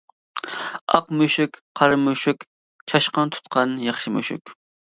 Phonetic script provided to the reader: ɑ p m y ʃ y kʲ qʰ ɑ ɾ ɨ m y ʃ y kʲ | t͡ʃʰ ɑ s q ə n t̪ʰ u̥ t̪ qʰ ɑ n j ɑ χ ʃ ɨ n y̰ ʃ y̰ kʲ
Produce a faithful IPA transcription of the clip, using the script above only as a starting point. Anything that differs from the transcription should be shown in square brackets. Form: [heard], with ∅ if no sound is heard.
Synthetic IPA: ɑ [q] m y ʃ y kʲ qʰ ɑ ɾ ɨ m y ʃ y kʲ | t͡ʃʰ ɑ [ʃ] q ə n t̪ʰ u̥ t̪ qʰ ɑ n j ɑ χ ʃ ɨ [m] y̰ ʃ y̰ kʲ